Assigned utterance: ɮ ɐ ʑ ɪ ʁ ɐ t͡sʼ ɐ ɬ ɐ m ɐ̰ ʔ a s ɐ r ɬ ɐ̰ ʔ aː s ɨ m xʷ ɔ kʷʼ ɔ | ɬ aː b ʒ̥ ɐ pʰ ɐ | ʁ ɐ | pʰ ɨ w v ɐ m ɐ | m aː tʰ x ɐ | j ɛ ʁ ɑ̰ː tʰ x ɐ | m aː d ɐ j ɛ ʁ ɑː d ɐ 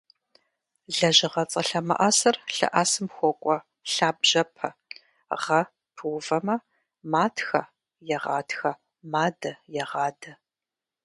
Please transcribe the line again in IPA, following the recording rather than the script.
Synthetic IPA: ɮ ɐ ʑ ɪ ʁ ɐ t͡sʼ ɐ ɬ ɐ m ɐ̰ ʔ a s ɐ r ɬ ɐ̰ ʔ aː s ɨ m xʷ ɔ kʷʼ ɔ | ɬ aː b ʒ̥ ɐ pʰ ɐ | ʁ ɐ | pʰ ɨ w v ɐ m ɐ | m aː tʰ x ɐ | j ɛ ʁ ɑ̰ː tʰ x ɐ | m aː d ɐ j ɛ ʁ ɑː d ɐ